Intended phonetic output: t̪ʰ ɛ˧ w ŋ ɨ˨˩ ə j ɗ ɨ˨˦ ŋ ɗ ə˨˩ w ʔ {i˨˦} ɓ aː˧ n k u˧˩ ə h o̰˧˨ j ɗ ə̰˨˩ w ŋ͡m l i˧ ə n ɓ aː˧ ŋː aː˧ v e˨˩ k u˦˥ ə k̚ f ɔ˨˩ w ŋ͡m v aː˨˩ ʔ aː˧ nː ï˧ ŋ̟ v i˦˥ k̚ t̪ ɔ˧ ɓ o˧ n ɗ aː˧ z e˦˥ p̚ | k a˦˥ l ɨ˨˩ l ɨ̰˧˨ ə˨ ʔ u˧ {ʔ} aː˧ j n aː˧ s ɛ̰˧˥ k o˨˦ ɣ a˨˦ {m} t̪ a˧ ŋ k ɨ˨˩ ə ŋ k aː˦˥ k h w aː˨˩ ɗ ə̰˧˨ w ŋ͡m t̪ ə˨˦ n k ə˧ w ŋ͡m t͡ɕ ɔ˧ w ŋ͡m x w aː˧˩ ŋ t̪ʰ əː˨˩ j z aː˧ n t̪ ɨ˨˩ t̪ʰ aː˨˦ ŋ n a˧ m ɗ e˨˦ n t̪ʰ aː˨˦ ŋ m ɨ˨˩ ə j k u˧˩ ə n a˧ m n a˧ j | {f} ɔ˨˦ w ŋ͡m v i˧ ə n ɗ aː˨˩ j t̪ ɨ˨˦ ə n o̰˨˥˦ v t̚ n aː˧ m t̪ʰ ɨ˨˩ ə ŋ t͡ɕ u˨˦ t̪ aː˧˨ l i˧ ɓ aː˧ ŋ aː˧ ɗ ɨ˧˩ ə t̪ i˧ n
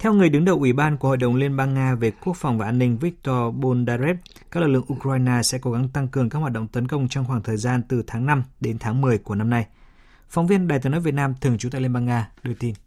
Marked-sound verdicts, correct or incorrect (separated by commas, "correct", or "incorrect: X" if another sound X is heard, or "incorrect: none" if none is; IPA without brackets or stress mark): incorrect: i˧˩, incorrect: k, incorrect: ŋ, correct